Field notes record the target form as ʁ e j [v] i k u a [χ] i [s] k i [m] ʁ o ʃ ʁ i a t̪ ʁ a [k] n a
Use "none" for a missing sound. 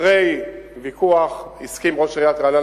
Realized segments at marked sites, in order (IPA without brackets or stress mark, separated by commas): v, χ, s, m, none